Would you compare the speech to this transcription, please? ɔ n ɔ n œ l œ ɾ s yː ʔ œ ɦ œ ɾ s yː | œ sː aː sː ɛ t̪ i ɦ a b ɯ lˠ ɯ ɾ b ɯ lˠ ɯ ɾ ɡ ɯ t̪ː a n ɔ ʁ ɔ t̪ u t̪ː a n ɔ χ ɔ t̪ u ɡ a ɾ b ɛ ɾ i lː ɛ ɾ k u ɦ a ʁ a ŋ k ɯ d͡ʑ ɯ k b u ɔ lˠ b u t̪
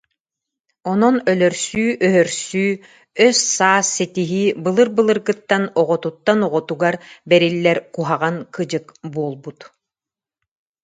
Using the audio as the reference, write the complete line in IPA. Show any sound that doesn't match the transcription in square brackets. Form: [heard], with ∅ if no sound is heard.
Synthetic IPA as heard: ɔ n ɔ n œ l œ ɾ s yː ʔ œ ɦ œ ɾ s yː | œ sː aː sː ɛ t̪ i ɦ [i] b ɯ lˠ ɯ ɾ b ɯ lˠ ɯ ɾ ɡ ɯ t̪ː a n ɔ ʁ ɔ t̪ u t̪ː a n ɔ [ʁ] ɔ t̪ u ɡ a ɾ b ɛ ɾ i lː ɛ ɾ k u ɦ a ʁ a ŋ k ɯ d͡ʑ ɯ k b u ɔ lˠ b u t̪